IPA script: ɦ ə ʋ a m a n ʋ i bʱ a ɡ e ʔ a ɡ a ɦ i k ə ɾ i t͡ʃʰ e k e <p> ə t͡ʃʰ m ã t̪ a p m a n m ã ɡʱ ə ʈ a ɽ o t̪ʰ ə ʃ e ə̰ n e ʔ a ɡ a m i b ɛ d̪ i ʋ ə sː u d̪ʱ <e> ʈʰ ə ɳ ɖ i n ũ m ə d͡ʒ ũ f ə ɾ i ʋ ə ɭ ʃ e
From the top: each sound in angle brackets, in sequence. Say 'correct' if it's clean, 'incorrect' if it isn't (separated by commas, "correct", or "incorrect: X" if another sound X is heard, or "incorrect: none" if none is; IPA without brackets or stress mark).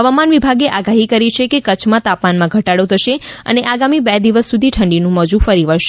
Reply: incorrect: k, incorrect: i